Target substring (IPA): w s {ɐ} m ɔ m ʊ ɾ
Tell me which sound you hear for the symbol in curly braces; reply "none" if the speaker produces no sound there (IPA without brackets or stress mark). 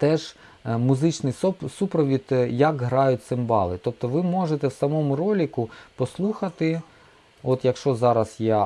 ɐ